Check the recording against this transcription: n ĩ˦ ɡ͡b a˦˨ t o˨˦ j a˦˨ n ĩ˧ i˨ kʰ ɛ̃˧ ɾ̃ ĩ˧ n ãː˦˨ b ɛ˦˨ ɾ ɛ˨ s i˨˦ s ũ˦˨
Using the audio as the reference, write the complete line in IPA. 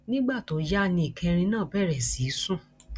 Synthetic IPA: n ĩ˦ ɡ͡b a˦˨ t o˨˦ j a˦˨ n ĩ˧ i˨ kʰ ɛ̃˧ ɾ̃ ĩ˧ n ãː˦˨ b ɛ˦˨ ɾ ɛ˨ s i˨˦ s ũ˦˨